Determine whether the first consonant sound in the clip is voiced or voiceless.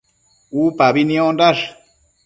voiceless